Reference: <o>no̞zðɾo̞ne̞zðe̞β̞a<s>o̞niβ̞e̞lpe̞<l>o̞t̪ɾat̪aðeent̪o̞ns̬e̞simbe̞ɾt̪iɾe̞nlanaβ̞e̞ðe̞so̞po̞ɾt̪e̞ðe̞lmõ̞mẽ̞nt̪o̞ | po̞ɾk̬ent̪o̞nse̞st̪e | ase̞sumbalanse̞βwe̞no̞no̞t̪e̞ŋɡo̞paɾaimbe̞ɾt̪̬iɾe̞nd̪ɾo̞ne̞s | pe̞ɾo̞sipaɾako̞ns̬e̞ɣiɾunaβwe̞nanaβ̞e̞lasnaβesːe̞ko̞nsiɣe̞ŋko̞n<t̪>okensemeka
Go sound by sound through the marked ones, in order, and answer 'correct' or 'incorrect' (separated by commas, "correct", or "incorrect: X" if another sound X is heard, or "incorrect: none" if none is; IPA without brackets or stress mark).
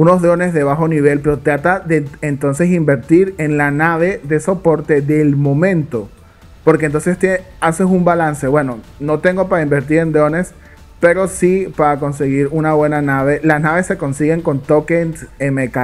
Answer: incorrect: u, incorrect: x, incorrect: ɾ, correct